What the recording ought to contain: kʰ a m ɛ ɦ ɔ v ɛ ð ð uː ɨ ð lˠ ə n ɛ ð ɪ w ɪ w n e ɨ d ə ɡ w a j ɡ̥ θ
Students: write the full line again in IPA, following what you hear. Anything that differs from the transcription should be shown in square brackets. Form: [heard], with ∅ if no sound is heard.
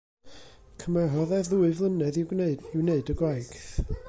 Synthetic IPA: kʰ [ə] m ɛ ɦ ɔ [ð] ɛ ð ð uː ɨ [v] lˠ ə n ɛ ð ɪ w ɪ w n e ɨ d ə ɡ w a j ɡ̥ θ